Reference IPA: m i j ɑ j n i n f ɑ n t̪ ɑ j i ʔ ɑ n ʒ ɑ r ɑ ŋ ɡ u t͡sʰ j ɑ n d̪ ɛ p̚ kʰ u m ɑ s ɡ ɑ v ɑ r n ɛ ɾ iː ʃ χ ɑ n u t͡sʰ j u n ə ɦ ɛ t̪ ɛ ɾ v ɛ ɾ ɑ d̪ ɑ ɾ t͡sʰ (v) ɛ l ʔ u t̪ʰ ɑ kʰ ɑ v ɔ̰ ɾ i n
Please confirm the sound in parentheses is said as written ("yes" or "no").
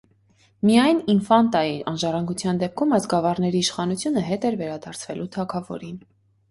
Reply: yes